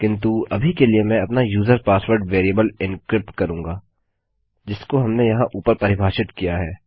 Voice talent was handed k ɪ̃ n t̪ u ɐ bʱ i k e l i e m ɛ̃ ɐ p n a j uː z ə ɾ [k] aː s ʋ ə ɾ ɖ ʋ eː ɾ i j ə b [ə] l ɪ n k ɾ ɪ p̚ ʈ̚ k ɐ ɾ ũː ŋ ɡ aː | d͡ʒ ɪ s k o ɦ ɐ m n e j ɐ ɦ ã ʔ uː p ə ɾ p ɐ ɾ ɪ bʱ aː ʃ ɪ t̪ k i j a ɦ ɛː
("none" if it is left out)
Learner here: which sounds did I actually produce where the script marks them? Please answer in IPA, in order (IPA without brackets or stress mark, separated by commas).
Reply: p, ə